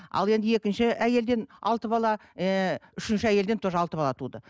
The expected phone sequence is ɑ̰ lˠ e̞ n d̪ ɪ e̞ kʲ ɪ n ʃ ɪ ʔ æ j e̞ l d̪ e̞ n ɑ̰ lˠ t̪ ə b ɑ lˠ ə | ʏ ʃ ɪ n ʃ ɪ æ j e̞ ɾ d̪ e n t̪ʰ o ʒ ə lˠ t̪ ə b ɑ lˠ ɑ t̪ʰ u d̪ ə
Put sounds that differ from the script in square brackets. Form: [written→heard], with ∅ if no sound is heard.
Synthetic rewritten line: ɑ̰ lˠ e̞ n d̪ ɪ e̞ kʲ ɪ n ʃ ɪ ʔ æ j e̞ l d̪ e̞ n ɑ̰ lˠ t̪ ə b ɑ lˠ [ə→ɑ] | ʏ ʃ ɪ n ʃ ɪ æ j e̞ [ɾ→l] d̪ e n t̪ʰ o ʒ [ə→ɑ] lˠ t̪ ə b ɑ lˠ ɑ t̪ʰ u d̪ ə